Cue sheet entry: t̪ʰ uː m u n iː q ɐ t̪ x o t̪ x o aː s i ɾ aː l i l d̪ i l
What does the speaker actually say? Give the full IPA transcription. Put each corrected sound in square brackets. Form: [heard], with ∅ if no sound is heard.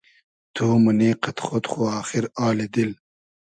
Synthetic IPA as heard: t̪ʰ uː m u n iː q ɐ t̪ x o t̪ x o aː [x] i ɾ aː l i [∅] d̪ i l